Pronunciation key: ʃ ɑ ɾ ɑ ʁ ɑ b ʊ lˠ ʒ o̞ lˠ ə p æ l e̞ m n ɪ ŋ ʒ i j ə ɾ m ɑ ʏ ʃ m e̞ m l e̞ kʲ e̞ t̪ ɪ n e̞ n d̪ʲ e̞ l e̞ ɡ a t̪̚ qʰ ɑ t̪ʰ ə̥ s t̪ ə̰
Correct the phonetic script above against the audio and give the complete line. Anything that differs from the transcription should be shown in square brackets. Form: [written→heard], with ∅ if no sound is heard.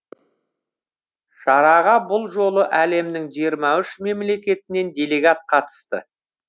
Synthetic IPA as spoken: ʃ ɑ ɾ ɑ ʁ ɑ b ʊ lˠ ʒ o̞ lˠ ə [p→ʔ] æ l e̞ m n ɪ ŋ ʒ i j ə ɾ m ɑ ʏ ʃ m e̞ m l e̞ kʲ e̞ t̪ ɪ n e̞ n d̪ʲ e̞ l e̞ ɡ a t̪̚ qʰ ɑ [t̪ʰ→t̪] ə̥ s t̪ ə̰